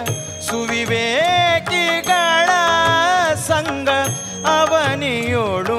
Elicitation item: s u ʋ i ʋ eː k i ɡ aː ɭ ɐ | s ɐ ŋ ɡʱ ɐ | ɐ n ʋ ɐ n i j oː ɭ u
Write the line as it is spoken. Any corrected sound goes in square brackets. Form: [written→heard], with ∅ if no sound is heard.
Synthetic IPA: s u ʋ i ʋ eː k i ɡ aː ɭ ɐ | s ɐ ŋ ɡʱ ɐ | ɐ [n→∅] ʋ ɐ n i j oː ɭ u